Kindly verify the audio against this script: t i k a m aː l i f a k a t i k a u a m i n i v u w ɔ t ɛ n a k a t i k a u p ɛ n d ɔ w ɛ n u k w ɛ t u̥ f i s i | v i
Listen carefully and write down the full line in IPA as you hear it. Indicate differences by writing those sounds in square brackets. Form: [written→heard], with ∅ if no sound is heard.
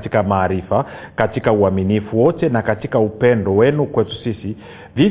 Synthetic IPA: t i k a m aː [l→ɾ] i f a k a t i k a u a m i n i [v→f] u w ɔ t ɛ n a k a t i k a u p ɛ n d ɔ w ɛ n u k w ɛ t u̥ [f→s] i s i | v i